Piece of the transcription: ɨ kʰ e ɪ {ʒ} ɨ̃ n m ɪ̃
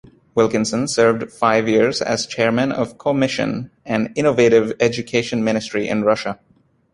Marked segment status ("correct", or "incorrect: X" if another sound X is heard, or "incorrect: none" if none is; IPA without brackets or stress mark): incorrect: ʃ